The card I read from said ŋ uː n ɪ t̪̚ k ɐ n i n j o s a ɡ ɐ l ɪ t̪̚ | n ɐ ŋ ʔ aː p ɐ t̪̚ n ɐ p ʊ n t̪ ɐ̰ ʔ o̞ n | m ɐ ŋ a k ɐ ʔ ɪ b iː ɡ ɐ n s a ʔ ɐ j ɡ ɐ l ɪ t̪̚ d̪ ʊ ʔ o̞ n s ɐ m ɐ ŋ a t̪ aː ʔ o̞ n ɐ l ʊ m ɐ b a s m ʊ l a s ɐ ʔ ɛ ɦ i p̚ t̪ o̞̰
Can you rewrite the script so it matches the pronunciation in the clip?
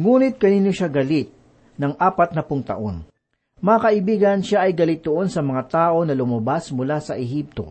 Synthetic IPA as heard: ŋ uː n ɪ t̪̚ k ɐ n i n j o ʃ a ɡ ɐ l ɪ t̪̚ | n ɐ ŋ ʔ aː p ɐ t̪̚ n ɐ p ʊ ŋ t̪ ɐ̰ ʔ o̞ n | m ɐ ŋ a k ɐ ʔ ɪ b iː ɡ ɐ n ʃ a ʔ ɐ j ɡ ɐ l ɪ t̪̚ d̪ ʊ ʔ o̞ n s ɐ m ɐ ŋ a t̪ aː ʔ o̞ n ɐ l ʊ m ɐ b a s m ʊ l a s ɐ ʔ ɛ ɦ i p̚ t̪ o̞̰